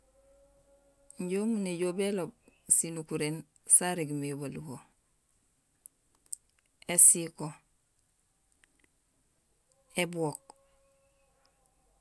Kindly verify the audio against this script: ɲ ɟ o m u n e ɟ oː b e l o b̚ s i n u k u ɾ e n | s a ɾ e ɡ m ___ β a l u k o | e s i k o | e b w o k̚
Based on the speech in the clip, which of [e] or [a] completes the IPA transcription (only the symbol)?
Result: e